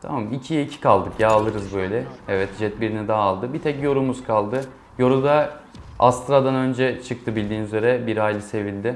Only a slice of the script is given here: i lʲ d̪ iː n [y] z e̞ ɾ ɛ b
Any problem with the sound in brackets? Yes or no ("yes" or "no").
no